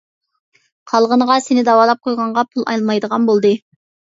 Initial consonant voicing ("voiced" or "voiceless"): voiceless